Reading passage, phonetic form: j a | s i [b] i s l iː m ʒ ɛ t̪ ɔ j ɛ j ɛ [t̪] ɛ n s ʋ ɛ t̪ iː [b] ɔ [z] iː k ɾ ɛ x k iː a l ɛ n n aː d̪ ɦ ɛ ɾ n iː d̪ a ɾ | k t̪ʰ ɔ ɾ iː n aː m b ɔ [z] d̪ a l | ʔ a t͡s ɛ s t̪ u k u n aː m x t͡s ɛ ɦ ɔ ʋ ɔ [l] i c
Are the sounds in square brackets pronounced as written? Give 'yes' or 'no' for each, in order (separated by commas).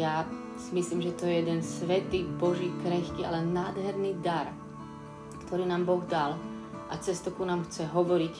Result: no, no, yes, no, no, no